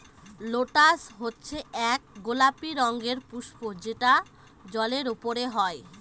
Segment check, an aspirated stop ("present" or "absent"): absent